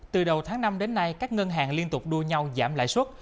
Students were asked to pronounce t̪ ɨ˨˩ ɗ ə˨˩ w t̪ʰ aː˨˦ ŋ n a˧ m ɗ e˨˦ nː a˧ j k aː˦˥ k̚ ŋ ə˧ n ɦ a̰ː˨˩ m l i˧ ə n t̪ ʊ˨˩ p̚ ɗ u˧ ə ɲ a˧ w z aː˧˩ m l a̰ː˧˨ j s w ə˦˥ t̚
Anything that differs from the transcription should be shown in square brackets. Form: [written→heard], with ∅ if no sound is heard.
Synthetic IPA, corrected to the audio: t̪ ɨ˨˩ ɗ ə˨˩ w t̪ʰ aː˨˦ ŋ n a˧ m ɗ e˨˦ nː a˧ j k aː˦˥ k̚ ŋ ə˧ n ɦ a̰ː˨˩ [m→ŋ] l i˧ ə n t̪ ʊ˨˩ [p̚→k͡p̚] ɗ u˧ ə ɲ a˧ w z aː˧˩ m l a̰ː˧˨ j s w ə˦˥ t̚